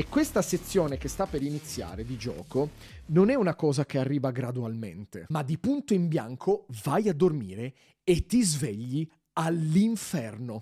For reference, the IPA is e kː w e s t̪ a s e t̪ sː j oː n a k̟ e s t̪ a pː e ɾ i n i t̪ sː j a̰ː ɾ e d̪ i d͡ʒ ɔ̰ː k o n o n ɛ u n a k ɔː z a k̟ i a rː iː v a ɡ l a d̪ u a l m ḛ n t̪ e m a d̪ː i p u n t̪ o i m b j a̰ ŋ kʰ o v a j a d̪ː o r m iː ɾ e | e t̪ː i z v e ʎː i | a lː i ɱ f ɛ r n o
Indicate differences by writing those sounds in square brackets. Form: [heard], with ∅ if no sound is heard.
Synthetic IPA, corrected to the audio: e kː w e s t̪ a s e t̪ sː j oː n [e] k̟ e s t̪ a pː e ɾ i n i t̪ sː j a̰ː ɾ e d̪ i d͡ʒ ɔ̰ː k o n o n ɛ u n a k ɔː z a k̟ [e] a rː iː v a ɡ [ɾ] a d̪ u a l m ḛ n t̪ e m a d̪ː i p u n t̪ o i m b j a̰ ŋ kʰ o v a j a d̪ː o r m iː ɾ e | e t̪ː i z v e ʎː i | a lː i ɱ f ɛ r n o